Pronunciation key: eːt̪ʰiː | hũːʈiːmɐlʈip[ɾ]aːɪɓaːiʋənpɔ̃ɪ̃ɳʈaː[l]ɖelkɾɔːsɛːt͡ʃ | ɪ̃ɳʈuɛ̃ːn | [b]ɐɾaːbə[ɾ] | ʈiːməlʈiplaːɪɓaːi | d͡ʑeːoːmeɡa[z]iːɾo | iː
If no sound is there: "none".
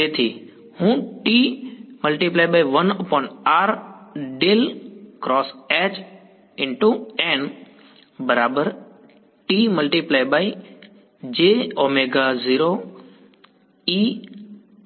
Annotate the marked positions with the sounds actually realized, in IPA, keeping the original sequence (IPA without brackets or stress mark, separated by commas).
l, ɾ, b, ɾ, z